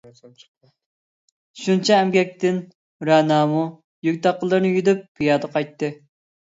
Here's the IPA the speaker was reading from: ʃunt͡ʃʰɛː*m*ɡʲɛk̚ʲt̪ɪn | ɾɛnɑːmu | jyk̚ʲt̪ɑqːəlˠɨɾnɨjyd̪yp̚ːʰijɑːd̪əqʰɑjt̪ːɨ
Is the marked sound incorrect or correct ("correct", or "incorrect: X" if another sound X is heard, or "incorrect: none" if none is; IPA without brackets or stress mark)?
correct